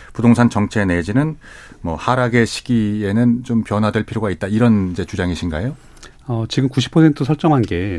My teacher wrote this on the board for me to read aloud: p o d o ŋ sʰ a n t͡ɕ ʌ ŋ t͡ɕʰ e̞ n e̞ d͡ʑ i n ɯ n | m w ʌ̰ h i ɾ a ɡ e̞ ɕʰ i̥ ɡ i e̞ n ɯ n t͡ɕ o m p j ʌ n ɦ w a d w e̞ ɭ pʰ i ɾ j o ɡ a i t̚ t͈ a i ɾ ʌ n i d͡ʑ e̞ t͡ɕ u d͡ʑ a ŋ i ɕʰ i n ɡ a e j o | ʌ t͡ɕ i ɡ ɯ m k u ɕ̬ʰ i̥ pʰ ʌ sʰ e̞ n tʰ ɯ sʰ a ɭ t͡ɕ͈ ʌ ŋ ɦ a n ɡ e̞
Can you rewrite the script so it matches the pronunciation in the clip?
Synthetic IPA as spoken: p u d o ŋ sʰ a n t͡ɕ ʌ ŋ t͡ɕʰ e̞ n e̞ d͡ʑ i n ɯ n | m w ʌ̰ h a ɾ a ɡ e̞ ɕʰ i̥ ɡ i e̞ n ɯ n t͡ɕ o m p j ʌ n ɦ w a d w e̞ ɭ pʰ i ɾ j o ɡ a i t̚ t͈ a i ɾ ʌ n i d͡ʑ e̞ t͡ɕ u d͡ʑ a ŋ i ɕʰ i n ɡ a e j o | ʌ t͡ɕ i ɡ ɯ m k u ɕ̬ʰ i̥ pʰ ʌ sʰ e̞ n tʰ ɯ sʰ ʌ ɭ t͡ɕ͈ ʌ ŋ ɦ a n ɡ e̞